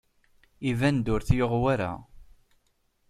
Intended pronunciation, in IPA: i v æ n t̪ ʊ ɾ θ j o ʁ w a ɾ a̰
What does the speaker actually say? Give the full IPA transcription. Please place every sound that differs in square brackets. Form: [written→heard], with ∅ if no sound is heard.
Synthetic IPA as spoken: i v æ n [t̪→d̪] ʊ ɾ θ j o ʁ w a ɾ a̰